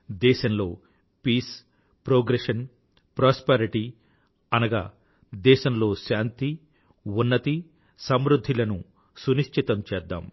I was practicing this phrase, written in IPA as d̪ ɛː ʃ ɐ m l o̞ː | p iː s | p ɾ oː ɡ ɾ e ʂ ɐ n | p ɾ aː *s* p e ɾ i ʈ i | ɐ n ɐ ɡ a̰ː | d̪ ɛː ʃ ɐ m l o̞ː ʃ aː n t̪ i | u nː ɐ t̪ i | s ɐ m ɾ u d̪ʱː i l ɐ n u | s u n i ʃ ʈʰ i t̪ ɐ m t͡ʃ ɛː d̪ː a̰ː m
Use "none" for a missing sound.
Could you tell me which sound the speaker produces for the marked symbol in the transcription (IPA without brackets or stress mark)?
s